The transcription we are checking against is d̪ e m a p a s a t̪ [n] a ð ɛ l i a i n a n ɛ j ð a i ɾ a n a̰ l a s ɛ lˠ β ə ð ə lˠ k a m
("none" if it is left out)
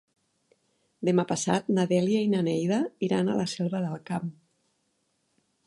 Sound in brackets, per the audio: n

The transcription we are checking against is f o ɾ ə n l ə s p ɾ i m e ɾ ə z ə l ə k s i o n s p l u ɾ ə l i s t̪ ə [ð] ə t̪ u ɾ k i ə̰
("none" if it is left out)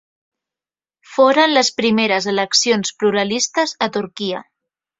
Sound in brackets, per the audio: z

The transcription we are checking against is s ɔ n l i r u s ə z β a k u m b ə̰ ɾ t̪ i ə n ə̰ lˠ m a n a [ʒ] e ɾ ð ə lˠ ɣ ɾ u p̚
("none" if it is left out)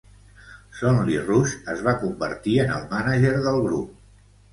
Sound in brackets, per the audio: ʒ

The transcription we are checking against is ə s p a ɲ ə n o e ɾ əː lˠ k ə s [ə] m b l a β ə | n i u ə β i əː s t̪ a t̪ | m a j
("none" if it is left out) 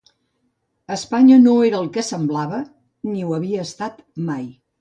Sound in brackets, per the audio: ə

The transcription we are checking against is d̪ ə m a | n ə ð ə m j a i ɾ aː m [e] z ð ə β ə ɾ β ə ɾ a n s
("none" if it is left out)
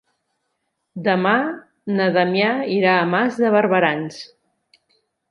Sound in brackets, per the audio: a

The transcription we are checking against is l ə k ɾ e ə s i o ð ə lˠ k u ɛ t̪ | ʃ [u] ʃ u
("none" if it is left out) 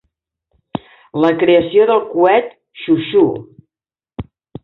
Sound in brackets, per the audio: u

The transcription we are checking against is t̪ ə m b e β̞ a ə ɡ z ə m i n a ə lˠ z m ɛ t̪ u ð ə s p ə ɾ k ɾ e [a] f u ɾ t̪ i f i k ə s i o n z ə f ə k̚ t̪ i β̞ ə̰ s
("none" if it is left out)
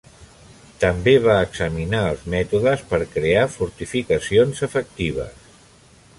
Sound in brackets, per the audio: a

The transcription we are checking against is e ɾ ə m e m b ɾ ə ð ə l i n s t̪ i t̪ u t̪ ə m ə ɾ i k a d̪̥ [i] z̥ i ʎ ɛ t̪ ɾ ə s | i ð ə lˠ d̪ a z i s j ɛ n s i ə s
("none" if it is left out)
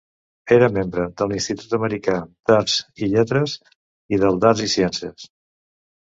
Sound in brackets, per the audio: a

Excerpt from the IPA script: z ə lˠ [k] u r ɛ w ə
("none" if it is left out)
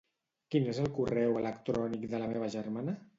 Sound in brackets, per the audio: k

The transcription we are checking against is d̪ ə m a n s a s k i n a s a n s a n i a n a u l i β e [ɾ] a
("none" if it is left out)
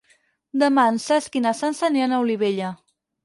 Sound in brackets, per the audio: ʎ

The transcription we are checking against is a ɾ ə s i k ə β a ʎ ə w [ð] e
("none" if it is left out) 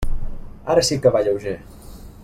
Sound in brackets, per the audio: ʒ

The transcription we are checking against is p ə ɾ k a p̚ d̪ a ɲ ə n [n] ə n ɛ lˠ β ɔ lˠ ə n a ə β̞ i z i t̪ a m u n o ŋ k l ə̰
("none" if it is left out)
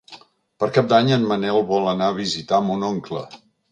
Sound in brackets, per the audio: m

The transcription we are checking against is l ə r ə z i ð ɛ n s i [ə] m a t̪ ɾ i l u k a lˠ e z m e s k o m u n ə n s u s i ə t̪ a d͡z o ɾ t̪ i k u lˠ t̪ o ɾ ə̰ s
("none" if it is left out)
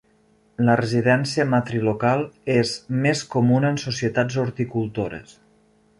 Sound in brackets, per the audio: ə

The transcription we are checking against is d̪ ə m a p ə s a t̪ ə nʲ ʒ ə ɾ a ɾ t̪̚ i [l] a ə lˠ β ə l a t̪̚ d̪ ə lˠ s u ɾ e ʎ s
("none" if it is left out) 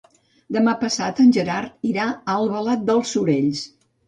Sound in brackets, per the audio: ɾ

